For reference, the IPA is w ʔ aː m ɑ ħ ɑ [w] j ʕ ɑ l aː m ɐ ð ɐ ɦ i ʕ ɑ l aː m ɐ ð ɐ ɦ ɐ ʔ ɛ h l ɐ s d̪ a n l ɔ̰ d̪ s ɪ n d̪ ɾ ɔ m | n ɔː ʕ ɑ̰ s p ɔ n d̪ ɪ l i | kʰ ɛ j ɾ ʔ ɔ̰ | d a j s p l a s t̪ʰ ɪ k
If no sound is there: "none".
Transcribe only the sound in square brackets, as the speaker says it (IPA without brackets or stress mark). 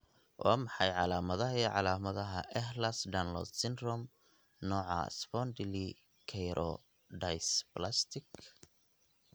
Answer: none